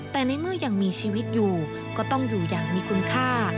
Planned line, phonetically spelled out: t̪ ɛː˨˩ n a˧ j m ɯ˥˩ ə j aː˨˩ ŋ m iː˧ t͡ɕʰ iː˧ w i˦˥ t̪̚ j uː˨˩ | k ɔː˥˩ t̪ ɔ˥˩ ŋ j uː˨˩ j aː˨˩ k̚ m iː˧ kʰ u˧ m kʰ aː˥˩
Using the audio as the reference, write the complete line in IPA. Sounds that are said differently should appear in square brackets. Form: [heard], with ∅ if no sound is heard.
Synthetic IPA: t̪ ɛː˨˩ n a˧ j m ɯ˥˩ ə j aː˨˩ ŋ m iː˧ t͡ɕʰ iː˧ w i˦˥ t̪̚ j uː˨˩ | k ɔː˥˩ t̪ ɔ˥˩ ŋ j uː˨˩ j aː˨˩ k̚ m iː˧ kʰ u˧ [n] kʰ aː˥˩